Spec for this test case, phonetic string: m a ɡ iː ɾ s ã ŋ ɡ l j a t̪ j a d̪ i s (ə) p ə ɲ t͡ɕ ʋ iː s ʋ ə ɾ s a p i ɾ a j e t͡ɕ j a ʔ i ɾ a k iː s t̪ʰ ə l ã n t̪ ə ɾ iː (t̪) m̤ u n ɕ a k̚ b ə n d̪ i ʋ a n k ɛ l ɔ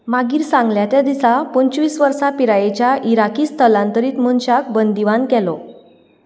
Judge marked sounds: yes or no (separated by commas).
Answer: no, yes